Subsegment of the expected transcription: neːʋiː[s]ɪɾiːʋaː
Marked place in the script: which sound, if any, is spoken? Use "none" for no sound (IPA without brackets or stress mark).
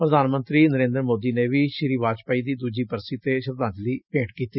ʃ